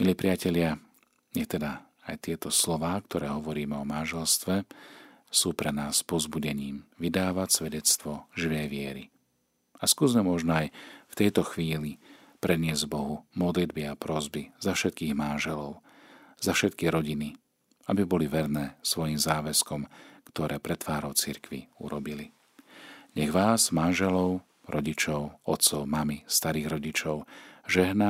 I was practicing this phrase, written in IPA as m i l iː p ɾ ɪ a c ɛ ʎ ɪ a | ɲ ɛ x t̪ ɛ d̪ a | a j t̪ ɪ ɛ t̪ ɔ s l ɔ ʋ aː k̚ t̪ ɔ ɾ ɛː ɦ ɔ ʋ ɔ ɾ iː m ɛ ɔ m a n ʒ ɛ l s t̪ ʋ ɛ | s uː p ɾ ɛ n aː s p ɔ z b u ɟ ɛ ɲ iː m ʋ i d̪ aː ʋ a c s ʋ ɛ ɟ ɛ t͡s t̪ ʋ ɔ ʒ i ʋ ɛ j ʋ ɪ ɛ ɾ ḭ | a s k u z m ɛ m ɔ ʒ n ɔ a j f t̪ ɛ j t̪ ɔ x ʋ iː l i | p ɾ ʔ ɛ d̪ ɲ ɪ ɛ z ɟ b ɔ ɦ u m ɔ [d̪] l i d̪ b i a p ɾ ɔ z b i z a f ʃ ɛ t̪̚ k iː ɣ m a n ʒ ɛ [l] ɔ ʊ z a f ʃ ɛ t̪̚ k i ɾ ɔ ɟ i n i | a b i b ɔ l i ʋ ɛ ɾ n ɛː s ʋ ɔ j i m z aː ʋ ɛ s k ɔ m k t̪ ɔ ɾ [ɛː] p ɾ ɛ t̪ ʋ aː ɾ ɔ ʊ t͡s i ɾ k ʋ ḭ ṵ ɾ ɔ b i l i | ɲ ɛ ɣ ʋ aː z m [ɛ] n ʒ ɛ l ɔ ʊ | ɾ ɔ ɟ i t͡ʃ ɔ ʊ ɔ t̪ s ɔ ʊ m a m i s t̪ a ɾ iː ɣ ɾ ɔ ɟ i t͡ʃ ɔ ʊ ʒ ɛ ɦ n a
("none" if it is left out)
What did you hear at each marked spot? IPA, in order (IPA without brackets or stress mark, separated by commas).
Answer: d̪, l, ɛː, a